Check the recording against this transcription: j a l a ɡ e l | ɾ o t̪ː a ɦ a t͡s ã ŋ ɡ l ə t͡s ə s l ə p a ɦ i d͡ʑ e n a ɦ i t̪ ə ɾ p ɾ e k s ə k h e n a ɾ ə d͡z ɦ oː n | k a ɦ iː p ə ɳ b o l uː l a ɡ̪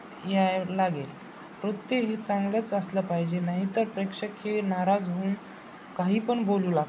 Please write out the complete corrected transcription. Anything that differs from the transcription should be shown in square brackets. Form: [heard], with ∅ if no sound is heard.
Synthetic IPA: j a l a ɡ e l | ɾ o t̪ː [e] ɦ [e] t͡s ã ŋ ɡ l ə t͡s ə s l ə p a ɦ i d͡ʑ e n a ɦ i t̪ ə ɾ p ɾ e k [ʂ] ə k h e n a ɾ [a] d͡z ɦ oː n | k a ɦ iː p ə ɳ b o l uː l a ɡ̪